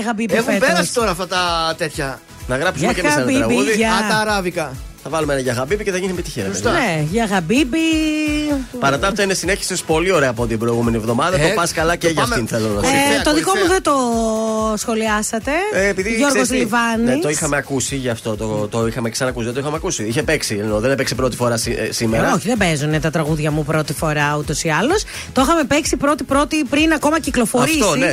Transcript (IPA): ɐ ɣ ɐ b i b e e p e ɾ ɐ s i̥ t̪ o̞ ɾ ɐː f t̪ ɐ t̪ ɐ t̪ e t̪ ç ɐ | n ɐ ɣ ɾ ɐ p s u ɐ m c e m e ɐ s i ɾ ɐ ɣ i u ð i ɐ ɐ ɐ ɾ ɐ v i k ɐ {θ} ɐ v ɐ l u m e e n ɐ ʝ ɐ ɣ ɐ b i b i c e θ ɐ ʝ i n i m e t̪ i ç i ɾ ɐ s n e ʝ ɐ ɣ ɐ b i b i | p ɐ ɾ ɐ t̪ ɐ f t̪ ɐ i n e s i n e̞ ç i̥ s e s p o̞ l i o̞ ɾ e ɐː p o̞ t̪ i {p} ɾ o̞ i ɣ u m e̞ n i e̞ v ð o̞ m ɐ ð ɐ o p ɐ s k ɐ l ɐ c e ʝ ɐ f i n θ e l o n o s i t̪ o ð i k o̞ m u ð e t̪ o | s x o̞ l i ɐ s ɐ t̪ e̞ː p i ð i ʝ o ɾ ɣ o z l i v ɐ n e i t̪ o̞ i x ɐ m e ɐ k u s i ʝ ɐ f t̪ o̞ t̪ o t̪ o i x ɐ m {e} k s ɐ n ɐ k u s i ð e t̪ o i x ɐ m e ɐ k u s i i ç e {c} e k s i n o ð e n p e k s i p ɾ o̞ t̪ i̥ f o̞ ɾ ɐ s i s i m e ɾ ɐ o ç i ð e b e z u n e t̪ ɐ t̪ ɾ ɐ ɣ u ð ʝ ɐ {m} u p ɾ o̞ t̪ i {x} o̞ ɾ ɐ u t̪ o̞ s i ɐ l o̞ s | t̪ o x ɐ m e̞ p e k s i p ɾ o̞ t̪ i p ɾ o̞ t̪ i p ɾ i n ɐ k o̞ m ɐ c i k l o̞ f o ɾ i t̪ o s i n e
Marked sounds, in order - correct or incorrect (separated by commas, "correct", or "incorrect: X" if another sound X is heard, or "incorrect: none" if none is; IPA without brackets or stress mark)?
correct, incorrect: b, correct, incorrect: p, correct, incorrect: f